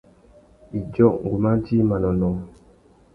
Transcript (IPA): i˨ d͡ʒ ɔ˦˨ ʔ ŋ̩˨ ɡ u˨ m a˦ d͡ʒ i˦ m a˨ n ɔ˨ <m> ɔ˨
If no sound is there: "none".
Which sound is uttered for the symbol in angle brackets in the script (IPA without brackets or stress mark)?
n